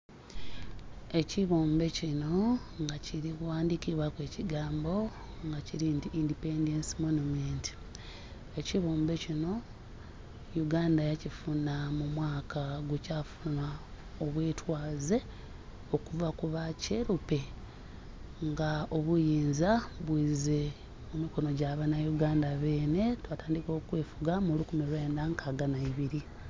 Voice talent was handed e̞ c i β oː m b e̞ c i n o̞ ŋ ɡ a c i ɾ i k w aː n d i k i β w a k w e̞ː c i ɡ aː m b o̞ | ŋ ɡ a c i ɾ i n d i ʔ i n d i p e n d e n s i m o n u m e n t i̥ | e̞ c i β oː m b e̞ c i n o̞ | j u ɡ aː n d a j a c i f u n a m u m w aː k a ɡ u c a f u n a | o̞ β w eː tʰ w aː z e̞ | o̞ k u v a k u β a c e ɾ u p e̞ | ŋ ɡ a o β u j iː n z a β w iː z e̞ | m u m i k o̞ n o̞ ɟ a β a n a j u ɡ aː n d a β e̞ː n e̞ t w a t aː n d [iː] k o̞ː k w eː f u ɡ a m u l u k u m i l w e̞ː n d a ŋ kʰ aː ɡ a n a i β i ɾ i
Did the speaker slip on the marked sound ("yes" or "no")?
yes